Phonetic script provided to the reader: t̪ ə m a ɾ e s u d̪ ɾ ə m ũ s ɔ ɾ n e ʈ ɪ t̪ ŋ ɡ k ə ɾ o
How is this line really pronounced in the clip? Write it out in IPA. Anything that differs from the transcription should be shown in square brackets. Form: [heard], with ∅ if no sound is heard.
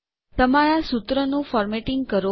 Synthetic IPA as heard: t̪ ə m a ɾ [a] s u [t̪] ɾ ə [n] ũ [f] ɔ ɾ [m] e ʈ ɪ [∅] ŋ ɡ k ə ɾ o